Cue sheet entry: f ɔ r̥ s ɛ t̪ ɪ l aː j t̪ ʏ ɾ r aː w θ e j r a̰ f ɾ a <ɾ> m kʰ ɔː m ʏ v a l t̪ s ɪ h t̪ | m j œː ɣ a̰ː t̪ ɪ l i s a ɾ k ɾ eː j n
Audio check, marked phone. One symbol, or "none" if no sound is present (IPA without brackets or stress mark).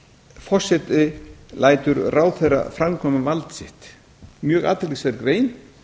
none